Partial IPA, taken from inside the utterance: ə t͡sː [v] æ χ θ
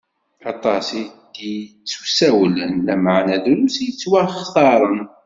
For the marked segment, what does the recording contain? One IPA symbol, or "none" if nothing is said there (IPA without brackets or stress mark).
w